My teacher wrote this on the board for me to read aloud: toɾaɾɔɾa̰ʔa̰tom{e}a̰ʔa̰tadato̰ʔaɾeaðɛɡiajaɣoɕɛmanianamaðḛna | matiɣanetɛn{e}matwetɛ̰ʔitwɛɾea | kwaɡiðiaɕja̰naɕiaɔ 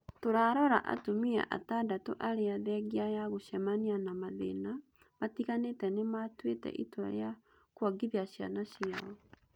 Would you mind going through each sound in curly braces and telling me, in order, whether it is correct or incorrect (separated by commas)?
incorrect, correct